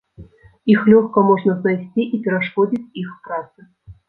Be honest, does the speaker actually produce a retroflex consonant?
yes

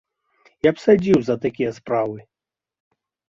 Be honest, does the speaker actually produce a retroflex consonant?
no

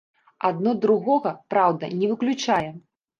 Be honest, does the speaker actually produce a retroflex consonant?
yes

